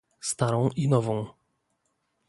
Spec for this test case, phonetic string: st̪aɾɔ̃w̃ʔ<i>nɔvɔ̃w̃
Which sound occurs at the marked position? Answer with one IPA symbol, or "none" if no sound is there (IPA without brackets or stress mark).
i